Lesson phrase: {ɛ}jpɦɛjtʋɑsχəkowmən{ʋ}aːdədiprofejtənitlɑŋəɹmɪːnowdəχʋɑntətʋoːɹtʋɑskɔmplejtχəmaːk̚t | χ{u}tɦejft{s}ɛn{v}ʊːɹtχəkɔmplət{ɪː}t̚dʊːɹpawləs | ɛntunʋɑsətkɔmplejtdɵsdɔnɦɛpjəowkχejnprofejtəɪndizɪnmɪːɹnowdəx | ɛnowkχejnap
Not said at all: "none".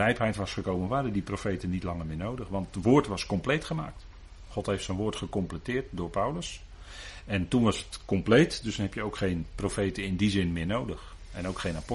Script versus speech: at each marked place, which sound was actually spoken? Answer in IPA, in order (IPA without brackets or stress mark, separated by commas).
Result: ɛ, ʋ, ɔ, s, ʋ, ɪː